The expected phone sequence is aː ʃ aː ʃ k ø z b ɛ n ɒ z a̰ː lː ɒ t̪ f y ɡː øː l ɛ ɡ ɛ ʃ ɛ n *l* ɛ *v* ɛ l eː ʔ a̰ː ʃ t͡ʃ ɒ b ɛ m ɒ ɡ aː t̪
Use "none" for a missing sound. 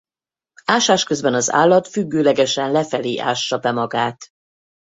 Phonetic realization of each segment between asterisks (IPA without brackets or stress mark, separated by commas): l, f